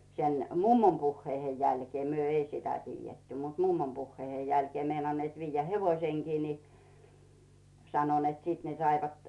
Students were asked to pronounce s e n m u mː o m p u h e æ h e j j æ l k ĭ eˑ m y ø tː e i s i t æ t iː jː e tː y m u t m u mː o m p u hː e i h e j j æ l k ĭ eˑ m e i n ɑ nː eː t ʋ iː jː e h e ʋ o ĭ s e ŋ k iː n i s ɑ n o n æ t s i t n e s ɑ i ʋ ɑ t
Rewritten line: s e n m u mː o m p u hː e i h e j j æ l k ĭ eˑ m y ø e i s i t æ t iː jː e tː y m u t m u mː o m p u hː e i h e j j æ l k ĭ eˑ m e i n ɑ nː eː t ʋ iː jː æ h e ʋ o ĭ s e ŋ k iː n i s ɑ n o n e t s i t n e s ɑ i ʋ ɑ t